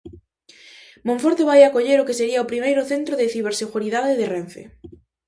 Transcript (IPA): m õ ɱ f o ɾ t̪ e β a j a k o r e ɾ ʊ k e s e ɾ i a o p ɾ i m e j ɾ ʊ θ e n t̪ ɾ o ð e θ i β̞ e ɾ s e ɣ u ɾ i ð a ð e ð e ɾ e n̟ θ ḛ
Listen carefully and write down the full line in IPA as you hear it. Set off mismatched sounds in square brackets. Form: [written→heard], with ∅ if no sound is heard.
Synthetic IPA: m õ ɱ f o ɾ t̪ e β a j a k o [r→ʎ] e ɾ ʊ k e s e ɾ i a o p ɾ i m e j ɾ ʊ θ e n t̪ ɾ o ð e θ i β̞ e ɾ s e ɣ u ɾ i ð a ð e ð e [ɾ→r] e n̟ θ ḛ